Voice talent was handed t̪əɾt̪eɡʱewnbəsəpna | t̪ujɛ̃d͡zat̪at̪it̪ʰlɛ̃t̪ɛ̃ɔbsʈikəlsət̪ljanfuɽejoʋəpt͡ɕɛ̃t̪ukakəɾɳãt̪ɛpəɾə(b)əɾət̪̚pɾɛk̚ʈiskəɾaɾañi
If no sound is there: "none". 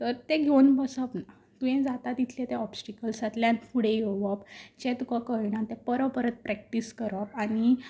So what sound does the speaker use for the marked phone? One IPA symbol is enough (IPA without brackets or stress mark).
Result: p